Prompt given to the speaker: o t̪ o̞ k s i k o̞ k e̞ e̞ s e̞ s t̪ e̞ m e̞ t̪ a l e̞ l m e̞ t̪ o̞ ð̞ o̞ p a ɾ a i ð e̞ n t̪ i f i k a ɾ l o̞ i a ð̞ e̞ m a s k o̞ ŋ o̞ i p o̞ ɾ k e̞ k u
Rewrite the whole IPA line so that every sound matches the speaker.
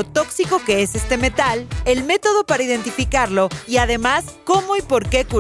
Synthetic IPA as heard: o t̪ o̞ k s i k o̞ k e̞ e̞ s e̞ s t̪ e̞ m e̞ t̪ a l e̞ l m e̞ t̪ o̞ ð̞ o̞ p a ɾ a i ð e̞ n t̪ i f i k a ɾ l o̞ i a ð̞ e̞ m a s k o̞ m o̞ i p o̞ ɾ k e̞ k u